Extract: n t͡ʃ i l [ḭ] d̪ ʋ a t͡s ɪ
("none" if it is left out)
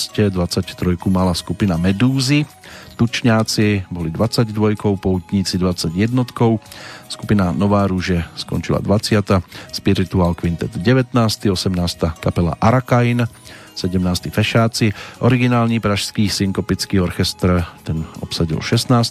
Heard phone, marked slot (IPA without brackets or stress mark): a̰